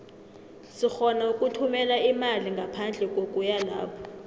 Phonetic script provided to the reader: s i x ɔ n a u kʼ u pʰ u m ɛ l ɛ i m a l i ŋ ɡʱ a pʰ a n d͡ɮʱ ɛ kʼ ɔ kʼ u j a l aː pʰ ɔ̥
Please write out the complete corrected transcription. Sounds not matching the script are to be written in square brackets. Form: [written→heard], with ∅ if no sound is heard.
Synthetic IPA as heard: s i x ɔ n a u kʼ u [pʰ→tʰ] u m ɛ l [ɛ→a] i m a l i ŋ ɡʱ a pʰ a n d͡ɮʱ ɛ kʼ [ɔ→o] kʼ u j a l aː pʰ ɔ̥